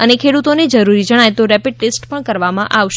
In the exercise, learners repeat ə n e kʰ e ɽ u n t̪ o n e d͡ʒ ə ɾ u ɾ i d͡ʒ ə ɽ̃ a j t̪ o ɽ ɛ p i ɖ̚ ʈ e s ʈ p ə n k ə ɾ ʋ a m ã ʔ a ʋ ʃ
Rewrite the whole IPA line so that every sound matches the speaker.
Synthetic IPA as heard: ə n e kʰ e ɽ u t̪ o n e d͡ʒ ə ɾ u ɾ i d͡ʒ ə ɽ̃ a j t̪ o ɾ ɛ p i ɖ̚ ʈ e s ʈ p ə ɳ k ə ɾ ʋ a m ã ʔ a ʋ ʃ

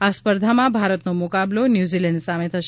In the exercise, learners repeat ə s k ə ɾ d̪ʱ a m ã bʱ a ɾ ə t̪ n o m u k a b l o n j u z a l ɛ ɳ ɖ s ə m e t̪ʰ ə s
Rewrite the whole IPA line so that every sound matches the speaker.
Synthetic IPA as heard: a s p ə ɾ d̪ʱ a m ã bʱ a ɾ ə t̪ n o m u k a b l o n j u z i l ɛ ɳ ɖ s a m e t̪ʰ ə ʃ

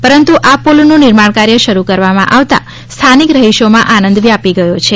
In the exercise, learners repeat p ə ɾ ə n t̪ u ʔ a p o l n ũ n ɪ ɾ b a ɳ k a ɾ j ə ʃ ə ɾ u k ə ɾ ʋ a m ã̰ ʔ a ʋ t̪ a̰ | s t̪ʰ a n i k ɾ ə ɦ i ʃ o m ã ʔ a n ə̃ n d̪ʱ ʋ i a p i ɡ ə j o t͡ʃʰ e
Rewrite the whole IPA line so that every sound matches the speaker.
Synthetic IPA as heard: p ə ɾ ə n t̪ u ʔ a p o l n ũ n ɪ ɾ m a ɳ k a ɾ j ə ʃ ə ɾ u k ə ɾ ʋ a m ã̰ ʔ a ʋ t̪ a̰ | s t̪ʰ a n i k ɾ ə ɦ i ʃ o m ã ʔ a n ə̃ n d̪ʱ ʋ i a p i ɡ ə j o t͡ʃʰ e

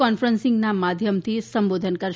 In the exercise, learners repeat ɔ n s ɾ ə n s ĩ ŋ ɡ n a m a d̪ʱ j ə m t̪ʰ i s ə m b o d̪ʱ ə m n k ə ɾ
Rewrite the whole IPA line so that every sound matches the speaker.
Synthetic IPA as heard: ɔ n f ɾ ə n s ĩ ŋ ɡ n a m a d̪ʱ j ə m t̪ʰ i s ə m b o d̪ʱ ə n k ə ɾ

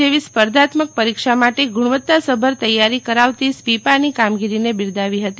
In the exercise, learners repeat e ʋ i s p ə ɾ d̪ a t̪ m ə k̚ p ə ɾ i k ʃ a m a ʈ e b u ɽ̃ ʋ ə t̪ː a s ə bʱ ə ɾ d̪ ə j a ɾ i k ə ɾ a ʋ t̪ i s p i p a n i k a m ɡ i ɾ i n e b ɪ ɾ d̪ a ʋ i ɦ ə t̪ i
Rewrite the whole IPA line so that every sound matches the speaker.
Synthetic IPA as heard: e ʋ i s p ə ɾ d̪ a t̪ m ə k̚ p ə ɾ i k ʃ a m a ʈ e ɡ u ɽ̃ ʋ ə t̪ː a s ə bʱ ə ɾ t̪ ə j a ɾ i k ə ɾ a ʋ t̪ i s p i p a n i k a m ɡ i ɾ i n e b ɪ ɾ d̪ a ʋ i ɦ ə t̪ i

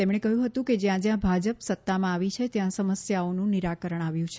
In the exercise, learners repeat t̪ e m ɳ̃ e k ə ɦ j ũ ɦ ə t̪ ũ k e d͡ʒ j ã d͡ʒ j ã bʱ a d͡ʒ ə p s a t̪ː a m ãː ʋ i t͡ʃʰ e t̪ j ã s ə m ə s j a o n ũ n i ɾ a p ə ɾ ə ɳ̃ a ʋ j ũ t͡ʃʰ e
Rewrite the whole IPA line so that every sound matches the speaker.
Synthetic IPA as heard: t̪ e m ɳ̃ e k ə ɦ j ũ ɦ ə t̪ ũ k e d͡ʒ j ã d͡ʒ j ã bʱ a d͡ʒ ə p s ə t̪ː a m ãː ʋ i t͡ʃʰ e t̪ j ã s ə m ə s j a o n ũ n i ɾ a k ə ɾ ə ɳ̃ a ʋ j ũ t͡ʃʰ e

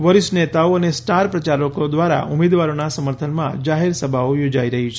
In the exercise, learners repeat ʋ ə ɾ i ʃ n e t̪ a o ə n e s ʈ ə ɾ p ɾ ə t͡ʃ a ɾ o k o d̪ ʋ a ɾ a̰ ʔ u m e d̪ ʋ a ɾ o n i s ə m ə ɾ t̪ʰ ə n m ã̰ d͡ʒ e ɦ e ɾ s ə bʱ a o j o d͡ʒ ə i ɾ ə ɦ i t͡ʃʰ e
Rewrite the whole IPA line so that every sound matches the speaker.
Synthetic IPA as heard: ʋ ə ɾ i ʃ n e t̪ a o ə n e s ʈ a ɾ p ɾ ə t͡ʃ a ɾ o k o d̪ ʋ a ɾ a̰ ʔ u m e d̪ ʋ a ɾ o n a s ə m ə ɾ t̪ʰ ə n m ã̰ d͡ʒ a ɦ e ɾ s ə bʱ a o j o d͡ʒ a i ɾ ə ɦ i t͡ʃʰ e

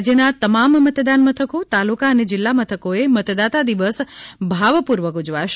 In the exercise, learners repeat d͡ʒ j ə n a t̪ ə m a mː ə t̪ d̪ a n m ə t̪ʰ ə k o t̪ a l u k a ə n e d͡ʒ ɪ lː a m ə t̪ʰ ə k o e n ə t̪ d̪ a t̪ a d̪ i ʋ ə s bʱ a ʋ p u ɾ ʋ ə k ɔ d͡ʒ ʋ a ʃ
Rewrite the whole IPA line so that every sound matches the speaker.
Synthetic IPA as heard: d͡ʒ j ə n a t̪ ə m a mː ə t̪ d̪ a n m ə t̪ʰ ə k o t̪ a l u k a ə n e d͡ʒ ɪ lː a m ə t̪ʰ ə k o e m ə t̪ d̪ a t̪ a d̪ i ʋ ə s bʱ a ʋ p u ɾ ʋ ə k u d͡ʒ ʋ a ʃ

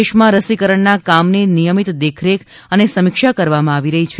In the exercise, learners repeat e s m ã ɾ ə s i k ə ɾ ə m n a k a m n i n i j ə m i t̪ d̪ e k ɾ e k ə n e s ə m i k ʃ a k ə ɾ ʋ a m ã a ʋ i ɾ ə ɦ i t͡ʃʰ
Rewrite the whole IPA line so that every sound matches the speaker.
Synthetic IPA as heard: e ʃ m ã ɾ ə s i k ə ɾ ə ɳ n a k a m n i n i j ə m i t̪ d̪ e kʰ ɾ e k ə n e s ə m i k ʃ a k ə ɾ ʋ a m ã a ʋ i ɾ ə ɦ i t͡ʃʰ

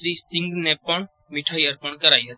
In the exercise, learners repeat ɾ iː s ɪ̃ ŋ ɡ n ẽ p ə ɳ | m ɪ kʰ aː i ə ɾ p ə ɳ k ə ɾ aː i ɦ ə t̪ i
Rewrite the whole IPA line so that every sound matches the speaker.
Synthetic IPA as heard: ɾ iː s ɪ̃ ŋ ɡ n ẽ p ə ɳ | m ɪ ʈʰ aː i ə ɾ p ə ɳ k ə ɾ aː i ɦ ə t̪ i

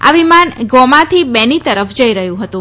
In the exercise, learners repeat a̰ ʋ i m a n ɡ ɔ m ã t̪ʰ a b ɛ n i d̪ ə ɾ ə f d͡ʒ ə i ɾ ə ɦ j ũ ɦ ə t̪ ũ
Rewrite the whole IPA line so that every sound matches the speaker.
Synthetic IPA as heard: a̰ ʋ i m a n ɡ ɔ m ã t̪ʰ i b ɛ n i t̪ ə ɾ ə f d͡ʒ ə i ɾ ə ɦ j ũ ɦ ə t̪ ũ

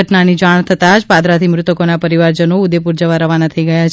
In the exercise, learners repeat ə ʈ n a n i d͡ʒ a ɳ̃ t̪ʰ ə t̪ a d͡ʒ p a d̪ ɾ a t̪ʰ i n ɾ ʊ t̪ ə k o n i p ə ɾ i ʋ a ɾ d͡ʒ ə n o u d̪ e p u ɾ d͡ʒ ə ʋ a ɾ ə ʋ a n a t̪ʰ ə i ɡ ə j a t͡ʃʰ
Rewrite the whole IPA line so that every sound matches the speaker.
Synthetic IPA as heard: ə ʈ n a n i d͡ʒ a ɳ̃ t̪ʰ ə t̪ a d͡ʒ p a d̪ ɾ a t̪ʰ i m ɾ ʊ t̪ ə k o n a p ə ɾ i ʋ a ɾ d͡ʒ ə n o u d̪ e p u ɾ d͡ʒ ə ʋ a ɾ ə ʋ a n a t̪ʰ ə i ɡ ə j a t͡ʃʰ

